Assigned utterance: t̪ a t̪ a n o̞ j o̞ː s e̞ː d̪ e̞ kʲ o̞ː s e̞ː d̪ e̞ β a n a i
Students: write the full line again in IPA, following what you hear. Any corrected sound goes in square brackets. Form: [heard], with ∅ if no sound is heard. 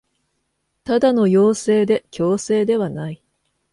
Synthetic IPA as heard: t̪ a [d̪] a n o̞ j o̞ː s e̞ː d̪ e̞ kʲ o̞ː s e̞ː d̪ e̞ β a n a i